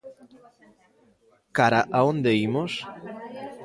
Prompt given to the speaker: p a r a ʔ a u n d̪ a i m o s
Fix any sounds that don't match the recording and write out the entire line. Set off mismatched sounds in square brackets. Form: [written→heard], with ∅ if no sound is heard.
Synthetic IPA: [p→k] a [r→ɾ] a ʔ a [u→o] n d̪ [a→e] i m o s